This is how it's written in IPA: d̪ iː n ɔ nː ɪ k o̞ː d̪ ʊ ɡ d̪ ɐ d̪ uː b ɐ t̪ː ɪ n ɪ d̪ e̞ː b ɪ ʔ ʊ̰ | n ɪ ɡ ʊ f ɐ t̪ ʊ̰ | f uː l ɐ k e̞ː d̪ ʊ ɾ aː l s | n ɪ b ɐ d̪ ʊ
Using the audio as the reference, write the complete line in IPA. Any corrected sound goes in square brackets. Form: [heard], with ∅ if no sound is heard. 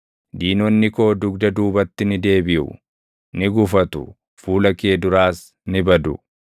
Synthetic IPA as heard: d̪ iː n ɔ nː ɪ k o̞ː d̪ ʊ ɡ d̪ ɐ d̪ uː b ɐ t̪ː ɪ n ɪ d̪ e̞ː b ɪ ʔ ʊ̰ | n ɪ ɡ ʊ f ɐ t̪ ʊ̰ | f uː l ɐ k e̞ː d̪ ʊ ɾ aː [∅] s | n ɪ b ɐ d̪ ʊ